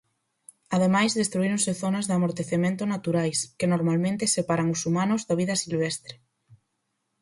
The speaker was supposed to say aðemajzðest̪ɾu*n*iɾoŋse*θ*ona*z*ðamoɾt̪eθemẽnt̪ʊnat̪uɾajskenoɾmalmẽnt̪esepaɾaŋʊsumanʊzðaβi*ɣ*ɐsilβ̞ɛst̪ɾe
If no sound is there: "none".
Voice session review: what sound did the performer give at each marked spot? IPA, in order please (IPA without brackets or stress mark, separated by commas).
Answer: none, θ, z, ð